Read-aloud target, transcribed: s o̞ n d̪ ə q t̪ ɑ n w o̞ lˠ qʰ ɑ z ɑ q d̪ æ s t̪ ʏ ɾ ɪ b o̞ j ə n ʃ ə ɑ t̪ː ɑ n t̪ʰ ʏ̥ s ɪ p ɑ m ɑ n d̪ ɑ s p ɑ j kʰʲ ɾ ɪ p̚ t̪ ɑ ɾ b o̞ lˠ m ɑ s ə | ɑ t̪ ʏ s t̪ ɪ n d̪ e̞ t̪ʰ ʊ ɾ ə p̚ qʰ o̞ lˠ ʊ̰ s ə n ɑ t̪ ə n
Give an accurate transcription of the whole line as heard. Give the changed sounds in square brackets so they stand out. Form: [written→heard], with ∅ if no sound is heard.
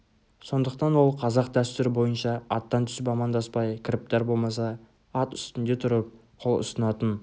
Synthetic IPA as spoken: s o̞ n d̪ ə q t̪ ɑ n w o̞ lˠ qʰ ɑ z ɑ q d̪ æ s t̪ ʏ ɾ ɪ b o̞ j ə n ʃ [ə→ɑ] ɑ t̪ː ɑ n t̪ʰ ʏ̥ s ɪ p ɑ m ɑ n d̪ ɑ s p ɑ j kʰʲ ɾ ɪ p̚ t̪ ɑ ɾ b o̞ lˠ m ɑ s [ə→ɑ] | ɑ t̪ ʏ s t̪ ɪ n d̪ e̞ t̪ʰ ʊ ɾ ə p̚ qʰ o̞ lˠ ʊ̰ s ə n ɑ t̪ ə n